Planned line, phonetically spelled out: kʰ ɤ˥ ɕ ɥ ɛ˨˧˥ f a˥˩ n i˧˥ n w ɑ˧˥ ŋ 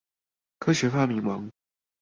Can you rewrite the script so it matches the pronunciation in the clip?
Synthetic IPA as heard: kʰ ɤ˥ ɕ ɥ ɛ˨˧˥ f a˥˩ m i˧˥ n w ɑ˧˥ ŋ